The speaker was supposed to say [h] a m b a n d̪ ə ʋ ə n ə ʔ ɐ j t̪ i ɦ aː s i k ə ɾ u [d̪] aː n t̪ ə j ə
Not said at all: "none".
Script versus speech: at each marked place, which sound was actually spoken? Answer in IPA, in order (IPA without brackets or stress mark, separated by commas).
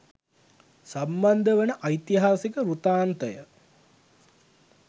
s, t̪